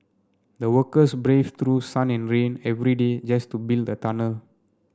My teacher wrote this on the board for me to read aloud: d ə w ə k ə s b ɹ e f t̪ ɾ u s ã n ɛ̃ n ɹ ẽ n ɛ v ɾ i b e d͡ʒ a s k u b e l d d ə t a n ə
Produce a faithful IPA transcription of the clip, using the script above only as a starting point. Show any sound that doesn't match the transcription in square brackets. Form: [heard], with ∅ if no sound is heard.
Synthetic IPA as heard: d ə w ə k ə s b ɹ e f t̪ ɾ u s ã n ɛ̃ n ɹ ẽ n ɛ v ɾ i [d] e d͡ʒ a s [t] u b [i] l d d ə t a n ə